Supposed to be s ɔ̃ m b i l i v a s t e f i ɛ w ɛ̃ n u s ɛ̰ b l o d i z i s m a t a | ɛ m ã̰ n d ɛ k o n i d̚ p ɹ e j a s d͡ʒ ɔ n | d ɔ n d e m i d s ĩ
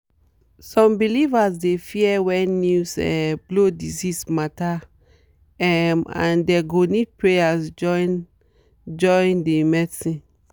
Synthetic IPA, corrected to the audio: s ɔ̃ m b i l i v a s d e f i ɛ w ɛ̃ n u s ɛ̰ b l o d i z i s m a t a | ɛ m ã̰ n d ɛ ɡ o n i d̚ p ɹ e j a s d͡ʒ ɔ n | d͡ʒ ɔ n d e m ɛ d s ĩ